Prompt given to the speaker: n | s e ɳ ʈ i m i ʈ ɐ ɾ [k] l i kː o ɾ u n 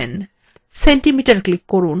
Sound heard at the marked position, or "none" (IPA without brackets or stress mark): k